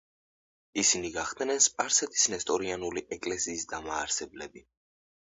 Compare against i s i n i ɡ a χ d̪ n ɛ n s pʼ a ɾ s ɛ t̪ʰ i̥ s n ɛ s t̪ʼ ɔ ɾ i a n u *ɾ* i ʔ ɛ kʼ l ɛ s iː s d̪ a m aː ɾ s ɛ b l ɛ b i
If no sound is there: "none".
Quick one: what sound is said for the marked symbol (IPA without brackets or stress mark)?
l